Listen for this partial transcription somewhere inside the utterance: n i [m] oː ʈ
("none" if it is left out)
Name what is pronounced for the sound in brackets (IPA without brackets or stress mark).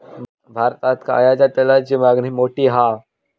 m